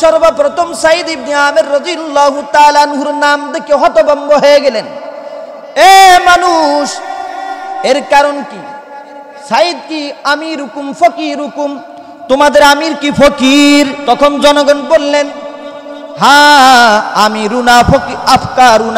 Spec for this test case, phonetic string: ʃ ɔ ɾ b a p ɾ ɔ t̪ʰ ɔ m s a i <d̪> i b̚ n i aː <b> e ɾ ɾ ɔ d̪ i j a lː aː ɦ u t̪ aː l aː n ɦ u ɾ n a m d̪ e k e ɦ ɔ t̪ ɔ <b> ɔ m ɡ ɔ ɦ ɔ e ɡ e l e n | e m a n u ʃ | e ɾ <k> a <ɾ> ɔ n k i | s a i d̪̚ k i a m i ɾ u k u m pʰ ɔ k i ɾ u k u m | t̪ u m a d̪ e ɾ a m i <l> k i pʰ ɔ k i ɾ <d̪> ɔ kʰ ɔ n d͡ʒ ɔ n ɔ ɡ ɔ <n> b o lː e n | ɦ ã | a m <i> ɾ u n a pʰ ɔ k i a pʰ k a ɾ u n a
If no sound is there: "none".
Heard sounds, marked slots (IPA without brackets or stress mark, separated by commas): d̪, m, b, k, ɾ, ɾ, t̪, n, i